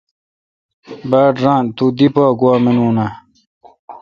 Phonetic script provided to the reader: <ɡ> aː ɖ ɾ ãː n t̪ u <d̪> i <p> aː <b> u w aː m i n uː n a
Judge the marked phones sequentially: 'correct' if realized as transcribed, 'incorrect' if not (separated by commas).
incorrect, correct, correct, incorrect